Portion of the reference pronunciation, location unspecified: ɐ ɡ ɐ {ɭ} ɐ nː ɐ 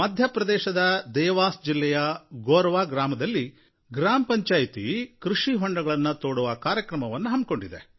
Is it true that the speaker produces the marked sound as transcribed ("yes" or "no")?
yes